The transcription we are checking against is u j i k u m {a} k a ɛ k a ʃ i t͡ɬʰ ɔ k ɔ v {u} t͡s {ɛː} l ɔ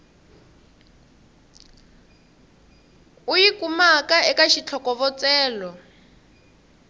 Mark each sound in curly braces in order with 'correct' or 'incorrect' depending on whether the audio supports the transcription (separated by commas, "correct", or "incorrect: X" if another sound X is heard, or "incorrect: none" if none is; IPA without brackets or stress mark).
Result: correct, incorrect: ɔ, correct